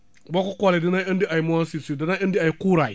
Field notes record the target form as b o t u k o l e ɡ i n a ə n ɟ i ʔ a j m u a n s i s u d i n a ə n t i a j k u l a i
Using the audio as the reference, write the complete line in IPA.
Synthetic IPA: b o k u k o l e d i n a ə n d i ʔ a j m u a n s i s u d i n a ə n d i a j k u ɾ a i